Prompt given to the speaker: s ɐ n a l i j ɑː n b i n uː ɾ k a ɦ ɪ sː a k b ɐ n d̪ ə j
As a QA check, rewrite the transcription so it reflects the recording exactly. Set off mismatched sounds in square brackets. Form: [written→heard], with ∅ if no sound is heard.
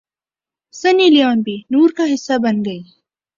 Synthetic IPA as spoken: s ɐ n [a→i] l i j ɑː n b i n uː ɾ k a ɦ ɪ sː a [k→∅] b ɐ n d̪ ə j